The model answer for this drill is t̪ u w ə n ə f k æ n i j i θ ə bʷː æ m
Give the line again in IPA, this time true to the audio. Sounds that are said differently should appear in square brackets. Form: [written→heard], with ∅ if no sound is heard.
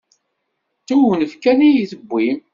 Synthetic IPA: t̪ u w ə n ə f k æ n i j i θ ə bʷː [æ→i] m